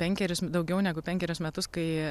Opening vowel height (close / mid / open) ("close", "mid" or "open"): mid